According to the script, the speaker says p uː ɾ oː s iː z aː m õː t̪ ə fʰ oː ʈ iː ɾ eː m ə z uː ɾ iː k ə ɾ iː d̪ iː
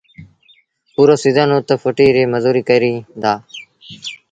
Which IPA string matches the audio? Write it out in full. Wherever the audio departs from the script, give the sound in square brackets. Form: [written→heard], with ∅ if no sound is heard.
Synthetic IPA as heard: p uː ɾ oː s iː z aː [m→n] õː t̪ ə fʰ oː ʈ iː ɾ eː m ə z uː ɾ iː k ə ɾ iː d̪ [iː→aː]